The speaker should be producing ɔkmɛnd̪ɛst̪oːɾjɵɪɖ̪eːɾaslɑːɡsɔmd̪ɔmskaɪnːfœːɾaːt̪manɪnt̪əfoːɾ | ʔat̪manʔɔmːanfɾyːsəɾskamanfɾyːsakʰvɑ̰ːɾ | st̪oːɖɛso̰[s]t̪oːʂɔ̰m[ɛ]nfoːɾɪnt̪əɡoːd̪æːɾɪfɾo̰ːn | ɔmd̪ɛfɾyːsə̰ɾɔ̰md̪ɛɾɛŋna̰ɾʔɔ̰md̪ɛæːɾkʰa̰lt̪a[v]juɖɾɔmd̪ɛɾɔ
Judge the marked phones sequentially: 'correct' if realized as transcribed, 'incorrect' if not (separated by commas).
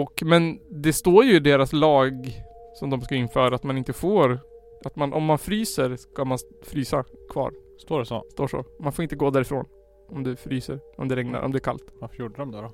correct, incorrect, incorrect